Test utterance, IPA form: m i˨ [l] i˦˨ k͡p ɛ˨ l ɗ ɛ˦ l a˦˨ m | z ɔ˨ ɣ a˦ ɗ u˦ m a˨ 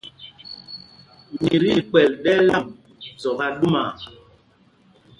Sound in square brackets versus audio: incorrect: ɾ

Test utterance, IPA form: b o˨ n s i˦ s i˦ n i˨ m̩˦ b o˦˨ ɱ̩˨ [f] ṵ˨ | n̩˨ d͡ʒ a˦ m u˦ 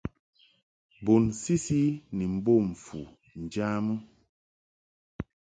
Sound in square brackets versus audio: correct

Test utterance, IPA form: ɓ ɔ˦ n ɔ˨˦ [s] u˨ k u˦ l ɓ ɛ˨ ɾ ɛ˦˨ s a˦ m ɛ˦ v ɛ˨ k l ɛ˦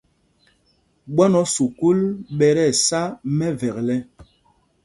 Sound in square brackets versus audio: correct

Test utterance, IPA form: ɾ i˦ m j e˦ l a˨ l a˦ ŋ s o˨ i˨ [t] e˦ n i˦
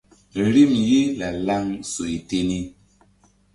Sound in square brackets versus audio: correct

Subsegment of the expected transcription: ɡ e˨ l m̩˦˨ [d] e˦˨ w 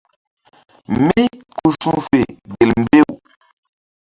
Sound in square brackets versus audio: incorrect: b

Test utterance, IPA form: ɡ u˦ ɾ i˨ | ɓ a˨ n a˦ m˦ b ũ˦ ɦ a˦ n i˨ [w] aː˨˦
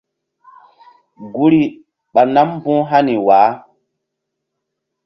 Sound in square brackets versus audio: correct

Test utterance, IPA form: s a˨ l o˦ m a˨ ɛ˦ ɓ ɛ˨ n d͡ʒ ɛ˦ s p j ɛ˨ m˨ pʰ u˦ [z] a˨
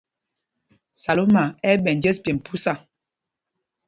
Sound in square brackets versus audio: incorrect: s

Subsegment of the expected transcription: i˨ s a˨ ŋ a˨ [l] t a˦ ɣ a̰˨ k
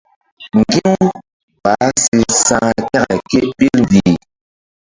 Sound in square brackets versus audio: incorrect: none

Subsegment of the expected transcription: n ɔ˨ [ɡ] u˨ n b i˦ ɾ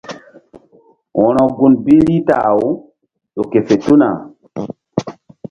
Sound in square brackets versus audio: correct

